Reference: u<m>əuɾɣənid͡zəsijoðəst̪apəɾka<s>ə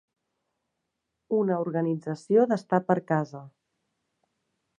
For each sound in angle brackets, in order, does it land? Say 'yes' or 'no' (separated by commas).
no, no